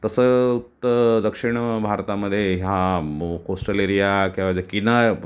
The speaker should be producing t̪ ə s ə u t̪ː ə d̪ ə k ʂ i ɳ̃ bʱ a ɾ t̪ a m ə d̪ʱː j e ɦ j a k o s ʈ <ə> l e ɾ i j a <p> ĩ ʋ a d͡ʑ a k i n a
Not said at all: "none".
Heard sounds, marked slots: ə, k

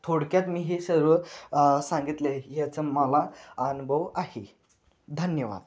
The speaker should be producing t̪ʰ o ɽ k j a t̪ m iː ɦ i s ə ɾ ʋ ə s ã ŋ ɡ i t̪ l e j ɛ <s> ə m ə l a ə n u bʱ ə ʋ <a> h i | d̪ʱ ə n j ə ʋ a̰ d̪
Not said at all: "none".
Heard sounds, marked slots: t͡s, a

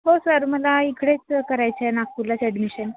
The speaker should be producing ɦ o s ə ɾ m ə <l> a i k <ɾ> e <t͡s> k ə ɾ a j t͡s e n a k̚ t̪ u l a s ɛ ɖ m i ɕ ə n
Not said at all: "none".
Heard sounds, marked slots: l, ɽ, t͡s

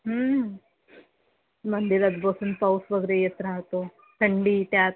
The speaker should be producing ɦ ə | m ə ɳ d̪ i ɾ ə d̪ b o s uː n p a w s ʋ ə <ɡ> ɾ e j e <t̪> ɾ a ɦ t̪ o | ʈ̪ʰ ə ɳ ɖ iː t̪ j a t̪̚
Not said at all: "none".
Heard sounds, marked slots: ɡ, t̪

